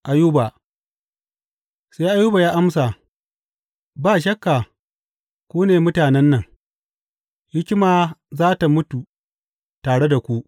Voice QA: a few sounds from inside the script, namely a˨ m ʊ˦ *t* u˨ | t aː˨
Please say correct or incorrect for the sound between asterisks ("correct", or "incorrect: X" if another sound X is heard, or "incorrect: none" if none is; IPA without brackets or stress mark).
correct